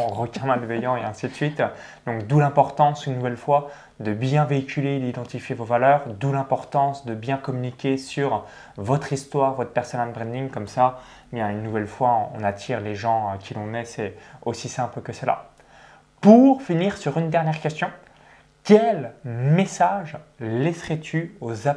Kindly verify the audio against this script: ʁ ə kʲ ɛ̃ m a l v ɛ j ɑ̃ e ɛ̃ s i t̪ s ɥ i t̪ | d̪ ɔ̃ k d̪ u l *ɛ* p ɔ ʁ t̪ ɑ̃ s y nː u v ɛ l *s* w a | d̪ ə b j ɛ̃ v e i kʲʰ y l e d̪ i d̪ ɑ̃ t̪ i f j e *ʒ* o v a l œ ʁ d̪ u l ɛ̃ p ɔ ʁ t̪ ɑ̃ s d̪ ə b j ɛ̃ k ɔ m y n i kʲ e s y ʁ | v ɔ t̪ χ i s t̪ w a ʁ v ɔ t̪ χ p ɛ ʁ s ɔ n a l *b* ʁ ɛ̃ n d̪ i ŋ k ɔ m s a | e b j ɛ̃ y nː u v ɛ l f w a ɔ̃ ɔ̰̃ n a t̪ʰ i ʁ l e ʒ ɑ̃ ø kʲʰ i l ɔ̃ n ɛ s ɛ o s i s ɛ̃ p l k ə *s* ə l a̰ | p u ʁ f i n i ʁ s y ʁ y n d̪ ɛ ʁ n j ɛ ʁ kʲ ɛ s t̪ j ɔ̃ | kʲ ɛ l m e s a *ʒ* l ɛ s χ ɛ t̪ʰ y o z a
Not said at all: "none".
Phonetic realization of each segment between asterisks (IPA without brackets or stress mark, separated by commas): ɛ̃, f, v, b, s, ʒ